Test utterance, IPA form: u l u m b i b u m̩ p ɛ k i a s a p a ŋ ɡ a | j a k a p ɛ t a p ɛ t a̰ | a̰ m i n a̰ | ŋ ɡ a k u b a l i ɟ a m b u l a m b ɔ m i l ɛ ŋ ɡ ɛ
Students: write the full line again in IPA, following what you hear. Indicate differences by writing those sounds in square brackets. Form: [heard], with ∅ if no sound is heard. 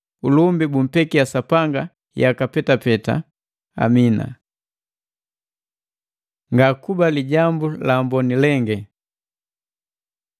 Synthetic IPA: u l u m b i b u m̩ p ɛ k i a s a p a ŋ ɡ a | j a k a p ɛ t a p ɛ t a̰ | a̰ m i n a̰ | ŋ ɡ a k u b a l i ɟ a m b u l a m b ɔ [n] i l ɛ ŋ ɡ ɛ